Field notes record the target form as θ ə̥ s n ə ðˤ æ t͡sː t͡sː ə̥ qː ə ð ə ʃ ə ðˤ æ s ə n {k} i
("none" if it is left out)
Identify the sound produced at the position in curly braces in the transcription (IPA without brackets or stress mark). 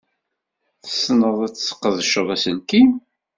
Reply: k